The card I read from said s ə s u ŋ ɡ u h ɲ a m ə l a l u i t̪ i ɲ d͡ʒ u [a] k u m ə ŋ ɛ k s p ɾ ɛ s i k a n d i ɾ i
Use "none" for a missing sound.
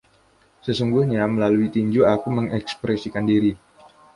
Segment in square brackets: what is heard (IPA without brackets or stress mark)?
a